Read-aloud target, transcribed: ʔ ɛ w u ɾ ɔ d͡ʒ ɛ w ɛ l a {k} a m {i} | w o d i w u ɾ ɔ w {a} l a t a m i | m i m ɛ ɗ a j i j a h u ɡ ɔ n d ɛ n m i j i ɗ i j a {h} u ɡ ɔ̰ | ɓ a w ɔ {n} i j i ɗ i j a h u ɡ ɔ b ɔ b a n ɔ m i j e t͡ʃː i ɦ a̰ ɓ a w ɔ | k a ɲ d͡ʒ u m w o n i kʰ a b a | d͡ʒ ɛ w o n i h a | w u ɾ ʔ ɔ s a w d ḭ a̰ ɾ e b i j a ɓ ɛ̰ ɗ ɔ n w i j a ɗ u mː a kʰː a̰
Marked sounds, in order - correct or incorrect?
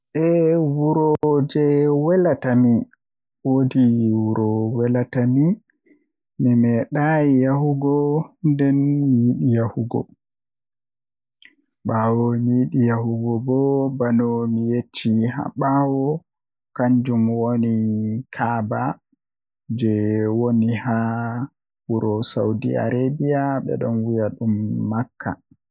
incorrect, correct, incorrect, correct, incorrect

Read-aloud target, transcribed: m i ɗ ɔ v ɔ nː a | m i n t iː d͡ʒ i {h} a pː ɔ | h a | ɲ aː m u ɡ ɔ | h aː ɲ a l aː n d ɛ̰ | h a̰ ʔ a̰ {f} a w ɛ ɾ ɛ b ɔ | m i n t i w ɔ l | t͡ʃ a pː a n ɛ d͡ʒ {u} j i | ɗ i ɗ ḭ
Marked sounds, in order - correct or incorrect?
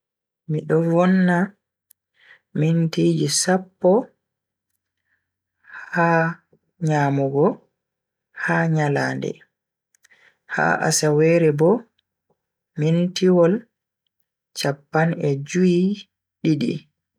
incorrect, incorrect, correct

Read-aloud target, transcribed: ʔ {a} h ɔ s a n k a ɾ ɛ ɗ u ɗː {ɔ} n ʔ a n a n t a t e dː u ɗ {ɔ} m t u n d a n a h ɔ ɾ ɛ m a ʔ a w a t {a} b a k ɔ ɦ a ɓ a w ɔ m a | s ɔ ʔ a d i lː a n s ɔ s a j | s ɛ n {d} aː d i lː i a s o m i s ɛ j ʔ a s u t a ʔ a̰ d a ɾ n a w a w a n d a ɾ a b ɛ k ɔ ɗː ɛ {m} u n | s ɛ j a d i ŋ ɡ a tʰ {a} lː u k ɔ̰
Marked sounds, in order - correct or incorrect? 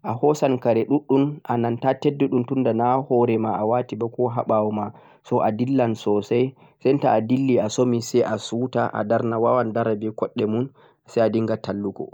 correct, incorrect, incorrect, incorrect, incorrect, correct, correct

